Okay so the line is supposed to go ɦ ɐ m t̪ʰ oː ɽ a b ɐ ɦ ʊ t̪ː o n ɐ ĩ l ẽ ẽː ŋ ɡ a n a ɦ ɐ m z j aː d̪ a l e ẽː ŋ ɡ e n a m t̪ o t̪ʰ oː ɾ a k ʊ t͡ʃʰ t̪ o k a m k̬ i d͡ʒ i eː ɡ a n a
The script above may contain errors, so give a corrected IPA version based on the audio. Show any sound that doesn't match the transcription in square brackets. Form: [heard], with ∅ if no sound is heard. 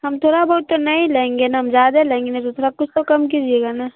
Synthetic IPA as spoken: ɦ ɐ m t̪ʰ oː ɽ a b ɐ ɦ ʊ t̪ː o n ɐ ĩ l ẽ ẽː ŋ ɡ [e] n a ɦ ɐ m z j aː d̪ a l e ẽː ŋ ɡ e n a [∅] t̪ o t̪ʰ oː ɾ a k ʊ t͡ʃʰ t̪ o k [ɐ] m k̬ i d͡ʒ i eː ɡ a n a